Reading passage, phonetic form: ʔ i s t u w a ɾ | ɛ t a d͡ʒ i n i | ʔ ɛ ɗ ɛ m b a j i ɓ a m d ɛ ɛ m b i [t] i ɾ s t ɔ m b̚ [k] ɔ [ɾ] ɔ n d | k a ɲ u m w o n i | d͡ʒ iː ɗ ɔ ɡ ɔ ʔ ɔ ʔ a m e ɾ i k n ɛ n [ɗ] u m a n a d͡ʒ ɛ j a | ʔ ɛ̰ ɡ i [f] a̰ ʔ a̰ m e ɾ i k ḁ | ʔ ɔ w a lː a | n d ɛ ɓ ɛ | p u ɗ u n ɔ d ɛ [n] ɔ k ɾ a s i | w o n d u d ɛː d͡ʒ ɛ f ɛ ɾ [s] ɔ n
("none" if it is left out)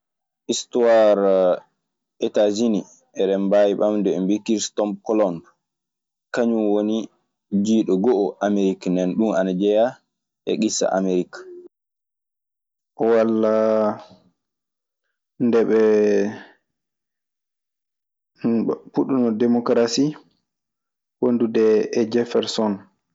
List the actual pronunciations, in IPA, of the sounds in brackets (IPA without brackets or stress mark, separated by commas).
k, k, l, ɗ, s, m, s